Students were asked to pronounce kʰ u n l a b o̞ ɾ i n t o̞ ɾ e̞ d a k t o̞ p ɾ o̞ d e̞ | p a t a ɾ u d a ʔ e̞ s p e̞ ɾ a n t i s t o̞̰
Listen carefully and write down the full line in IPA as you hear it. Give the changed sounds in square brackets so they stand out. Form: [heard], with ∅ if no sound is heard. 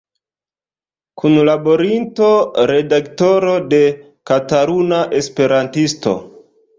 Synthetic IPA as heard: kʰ u n l a b o̞ ɾ i n t o̞ ɾ e̞ d a k t o̞ [∅] ɾ o̞ d e̞ | [k] a t a ɾ u [n] a ʔ e̞ s p e̞ ɾ a n t i s t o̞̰